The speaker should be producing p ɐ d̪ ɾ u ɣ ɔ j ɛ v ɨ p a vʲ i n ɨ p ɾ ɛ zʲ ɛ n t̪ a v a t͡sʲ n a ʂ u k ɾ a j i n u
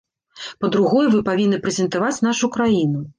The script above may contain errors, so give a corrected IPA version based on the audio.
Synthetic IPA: p ɐ d̪ ɾ u ɣ ɔ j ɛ v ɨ p a vʲ i nː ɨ p ɾ ɛ zʲ ɛ n t̪ a v a t͡sʲ n a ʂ u k ɾ a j i n u